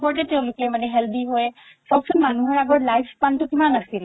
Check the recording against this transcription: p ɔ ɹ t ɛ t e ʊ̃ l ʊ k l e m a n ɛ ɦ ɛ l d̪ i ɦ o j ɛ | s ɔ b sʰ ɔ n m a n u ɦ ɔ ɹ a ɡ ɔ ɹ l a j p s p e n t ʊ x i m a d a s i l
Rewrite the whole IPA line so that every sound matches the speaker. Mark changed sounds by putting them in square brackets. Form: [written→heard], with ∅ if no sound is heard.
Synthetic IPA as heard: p ɔ ɹ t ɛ t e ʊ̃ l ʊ k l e m a n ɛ ɦ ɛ l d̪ i ɦ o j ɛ | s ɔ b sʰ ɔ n m a n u ɦ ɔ ɹ a ɡ ɔ ɹ l a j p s p [e→a] n t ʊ [x→k] i m a [d→n] a s i l